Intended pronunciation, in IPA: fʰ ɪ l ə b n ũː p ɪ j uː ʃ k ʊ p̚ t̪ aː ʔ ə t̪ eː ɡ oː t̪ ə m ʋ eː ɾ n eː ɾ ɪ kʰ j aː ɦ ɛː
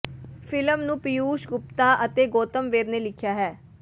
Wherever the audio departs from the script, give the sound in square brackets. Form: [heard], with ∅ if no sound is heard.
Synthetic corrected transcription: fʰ ɪ l ə [m] n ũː p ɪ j uː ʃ [ɡ] ʊ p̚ t̪ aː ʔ ə t̪ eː ɡ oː t̪ ə m ʋ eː ɾ n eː [l] ɪ kʰ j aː ɦ ɛː